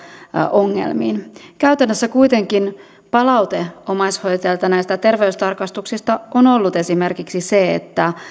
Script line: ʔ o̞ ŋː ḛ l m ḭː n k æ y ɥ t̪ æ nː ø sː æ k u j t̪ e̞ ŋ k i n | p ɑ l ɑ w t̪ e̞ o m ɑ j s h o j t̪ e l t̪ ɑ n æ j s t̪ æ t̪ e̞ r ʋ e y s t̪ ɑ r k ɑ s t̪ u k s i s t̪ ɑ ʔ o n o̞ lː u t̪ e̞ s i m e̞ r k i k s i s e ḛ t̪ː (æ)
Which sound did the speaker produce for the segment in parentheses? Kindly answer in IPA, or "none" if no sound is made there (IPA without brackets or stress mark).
æ